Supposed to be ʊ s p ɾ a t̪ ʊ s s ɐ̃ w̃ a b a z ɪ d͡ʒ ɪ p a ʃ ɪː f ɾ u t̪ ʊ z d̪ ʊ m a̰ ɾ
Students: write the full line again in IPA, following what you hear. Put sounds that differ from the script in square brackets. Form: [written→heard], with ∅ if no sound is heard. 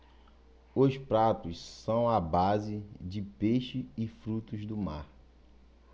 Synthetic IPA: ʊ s p ɾ a t̪ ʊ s s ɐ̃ w̃ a b a z ɪ d͡ʒ ɪ p [a→e] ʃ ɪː f ɾ u t̪ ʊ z d̪ ʊ m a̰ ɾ